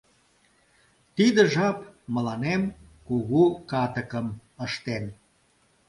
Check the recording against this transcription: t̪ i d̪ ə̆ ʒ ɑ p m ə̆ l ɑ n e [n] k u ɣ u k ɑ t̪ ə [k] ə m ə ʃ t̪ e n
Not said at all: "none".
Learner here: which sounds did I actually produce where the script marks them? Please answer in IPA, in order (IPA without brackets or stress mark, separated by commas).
m, k